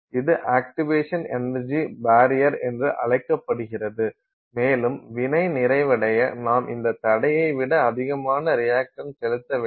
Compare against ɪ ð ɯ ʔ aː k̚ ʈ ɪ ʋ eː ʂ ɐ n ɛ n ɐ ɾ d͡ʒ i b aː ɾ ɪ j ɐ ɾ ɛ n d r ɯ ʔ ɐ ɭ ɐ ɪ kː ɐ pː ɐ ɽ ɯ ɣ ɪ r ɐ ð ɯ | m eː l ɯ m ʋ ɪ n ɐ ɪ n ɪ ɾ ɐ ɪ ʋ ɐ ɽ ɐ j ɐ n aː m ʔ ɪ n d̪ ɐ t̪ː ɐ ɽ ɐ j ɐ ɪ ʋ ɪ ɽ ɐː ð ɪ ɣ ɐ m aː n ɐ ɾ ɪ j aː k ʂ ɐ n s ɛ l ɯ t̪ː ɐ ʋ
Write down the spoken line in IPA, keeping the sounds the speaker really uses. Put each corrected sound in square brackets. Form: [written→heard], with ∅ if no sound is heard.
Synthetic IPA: ɪ ð ɯ ʔ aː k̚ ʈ ɪ ʋ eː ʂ ɐ n ɛ n ɐ ɾ d͡ʒ i b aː ɾ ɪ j ɐ ɾ ɛ n d r ɯ ʔ ɐ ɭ ɐ ɪ kː ɐ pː ɐ ɽ ɯ ɣ ɪ r ɐ ð ɯ | m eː l ɯ m ʋ ɪ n ɐ ɪ n ɪ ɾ ɐ ɪ ʋ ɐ ɽ ɐ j ɐ n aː m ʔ ɪ n d̪ ɐ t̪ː ɐ ɽ ɐ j ɐ ɪ ʋ ɪ ɽ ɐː ð ɪ ɣ ɐ m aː n ɐ ɾ ɪ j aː k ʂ ɐ n s ɛ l ɯ t̪ː ɐ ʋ